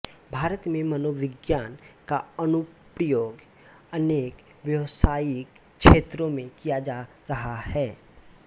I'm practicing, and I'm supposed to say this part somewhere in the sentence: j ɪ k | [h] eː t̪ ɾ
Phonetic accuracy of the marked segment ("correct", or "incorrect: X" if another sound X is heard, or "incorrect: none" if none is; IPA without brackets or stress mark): incorrect: ʃ